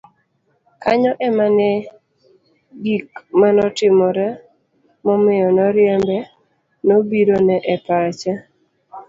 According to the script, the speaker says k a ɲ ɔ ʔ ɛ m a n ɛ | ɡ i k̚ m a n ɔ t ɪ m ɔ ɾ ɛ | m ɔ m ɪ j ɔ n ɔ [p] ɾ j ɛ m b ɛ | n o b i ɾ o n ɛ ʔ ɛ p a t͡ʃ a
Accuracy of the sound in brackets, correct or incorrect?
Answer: incorrect